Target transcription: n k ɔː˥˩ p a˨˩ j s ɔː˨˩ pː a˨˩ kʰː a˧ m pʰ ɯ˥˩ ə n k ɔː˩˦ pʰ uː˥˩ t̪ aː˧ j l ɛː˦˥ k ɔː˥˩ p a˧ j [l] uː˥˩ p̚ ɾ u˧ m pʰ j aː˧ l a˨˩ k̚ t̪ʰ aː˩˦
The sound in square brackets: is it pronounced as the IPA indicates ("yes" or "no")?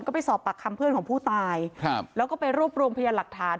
no